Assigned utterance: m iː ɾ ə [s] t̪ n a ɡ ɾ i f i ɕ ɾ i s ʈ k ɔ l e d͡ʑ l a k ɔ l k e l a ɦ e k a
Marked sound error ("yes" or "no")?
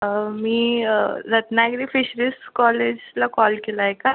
yes